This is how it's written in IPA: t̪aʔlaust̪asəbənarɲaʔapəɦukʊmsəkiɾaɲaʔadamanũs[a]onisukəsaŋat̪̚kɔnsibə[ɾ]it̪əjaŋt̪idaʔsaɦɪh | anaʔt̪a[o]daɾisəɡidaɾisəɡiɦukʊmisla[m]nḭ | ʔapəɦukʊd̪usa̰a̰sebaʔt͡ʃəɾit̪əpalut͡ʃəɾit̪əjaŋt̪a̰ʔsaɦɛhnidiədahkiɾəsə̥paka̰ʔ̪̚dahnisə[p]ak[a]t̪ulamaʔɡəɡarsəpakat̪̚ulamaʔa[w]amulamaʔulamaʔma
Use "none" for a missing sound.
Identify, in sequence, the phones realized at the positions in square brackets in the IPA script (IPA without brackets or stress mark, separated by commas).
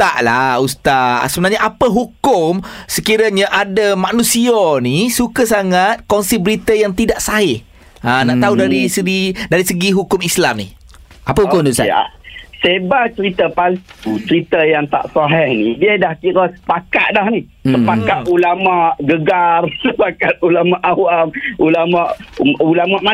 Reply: i, ɾ, u, m, p, a, w